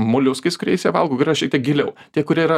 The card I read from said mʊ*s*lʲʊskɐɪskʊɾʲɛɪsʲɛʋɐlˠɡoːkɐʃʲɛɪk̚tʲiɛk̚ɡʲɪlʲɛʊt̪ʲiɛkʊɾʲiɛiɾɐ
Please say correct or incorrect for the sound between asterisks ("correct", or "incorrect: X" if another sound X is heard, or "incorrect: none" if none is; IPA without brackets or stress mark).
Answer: incorrect: none